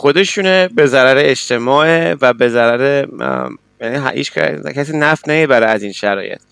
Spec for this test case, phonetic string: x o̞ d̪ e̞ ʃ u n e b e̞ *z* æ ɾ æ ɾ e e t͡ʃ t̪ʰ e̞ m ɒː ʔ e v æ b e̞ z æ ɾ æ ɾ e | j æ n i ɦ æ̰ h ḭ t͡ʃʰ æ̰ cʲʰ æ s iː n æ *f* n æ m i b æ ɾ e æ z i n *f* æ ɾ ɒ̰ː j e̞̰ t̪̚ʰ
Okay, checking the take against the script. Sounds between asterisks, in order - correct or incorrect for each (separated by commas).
correct, correct, incorrect